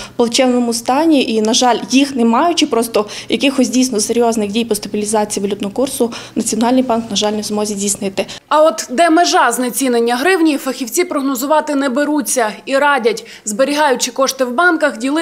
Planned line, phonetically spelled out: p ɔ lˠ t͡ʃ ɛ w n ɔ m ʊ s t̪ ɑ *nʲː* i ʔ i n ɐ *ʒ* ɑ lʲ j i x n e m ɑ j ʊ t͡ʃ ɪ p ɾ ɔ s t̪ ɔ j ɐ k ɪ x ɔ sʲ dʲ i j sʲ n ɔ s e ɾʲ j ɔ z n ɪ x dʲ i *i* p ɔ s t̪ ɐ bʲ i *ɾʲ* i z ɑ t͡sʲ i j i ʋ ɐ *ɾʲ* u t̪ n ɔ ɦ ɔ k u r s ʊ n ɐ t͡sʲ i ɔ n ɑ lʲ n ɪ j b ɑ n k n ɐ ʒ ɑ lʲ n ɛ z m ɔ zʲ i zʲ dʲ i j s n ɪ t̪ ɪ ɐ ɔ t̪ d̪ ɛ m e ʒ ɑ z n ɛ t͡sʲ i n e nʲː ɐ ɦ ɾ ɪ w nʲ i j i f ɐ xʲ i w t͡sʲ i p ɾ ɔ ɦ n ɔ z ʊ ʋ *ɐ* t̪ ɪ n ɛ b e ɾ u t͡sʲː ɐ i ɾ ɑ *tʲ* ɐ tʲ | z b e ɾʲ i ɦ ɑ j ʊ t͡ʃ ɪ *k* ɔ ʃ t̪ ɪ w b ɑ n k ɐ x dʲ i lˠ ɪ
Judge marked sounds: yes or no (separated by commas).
no, yes, no, no, no, no, no, yes